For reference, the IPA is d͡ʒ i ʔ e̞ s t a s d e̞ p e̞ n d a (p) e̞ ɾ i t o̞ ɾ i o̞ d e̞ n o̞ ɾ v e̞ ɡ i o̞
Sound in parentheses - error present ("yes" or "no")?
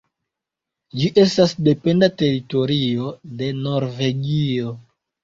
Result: yes